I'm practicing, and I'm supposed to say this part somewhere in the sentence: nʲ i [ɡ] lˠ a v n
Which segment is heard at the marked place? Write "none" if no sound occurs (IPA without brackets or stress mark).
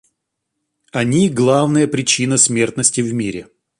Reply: ɡ